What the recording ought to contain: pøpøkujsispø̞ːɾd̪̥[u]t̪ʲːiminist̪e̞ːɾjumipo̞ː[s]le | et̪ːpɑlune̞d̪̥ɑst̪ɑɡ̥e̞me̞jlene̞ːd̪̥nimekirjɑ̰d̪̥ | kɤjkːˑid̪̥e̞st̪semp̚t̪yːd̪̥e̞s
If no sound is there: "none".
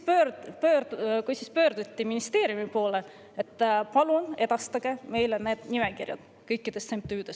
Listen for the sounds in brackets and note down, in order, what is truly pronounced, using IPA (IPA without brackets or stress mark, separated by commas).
u, none